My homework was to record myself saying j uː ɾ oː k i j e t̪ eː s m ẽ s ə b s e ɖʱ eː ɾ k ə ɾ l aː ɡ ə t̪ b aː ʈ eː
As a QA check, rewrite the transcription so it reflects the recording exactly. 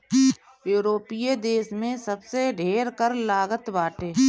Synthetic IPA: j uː ɾ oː p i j e d̪ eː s m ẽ s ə b s e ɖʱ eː ɾ k ə ɾ l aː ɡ ə t̪ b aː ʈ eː